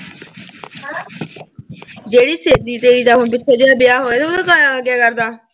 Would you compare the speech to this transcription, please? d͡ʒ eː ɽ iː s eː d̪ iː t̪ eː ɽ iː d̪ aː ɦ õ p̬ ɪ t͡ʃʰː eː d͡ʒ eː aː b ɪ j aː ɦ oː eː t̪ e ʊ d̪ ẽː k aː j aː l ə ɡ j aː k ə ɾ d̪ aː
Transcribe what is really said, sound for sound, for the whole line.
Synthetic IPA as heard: d͡ʒ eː ɽ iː s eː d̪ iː t̪ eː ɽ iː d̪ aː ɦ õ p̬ ɪ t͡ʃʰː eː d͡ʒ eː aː b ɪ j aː ɦ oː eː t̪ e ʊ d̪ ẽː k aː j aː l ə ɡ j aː k ə ɾ d̪ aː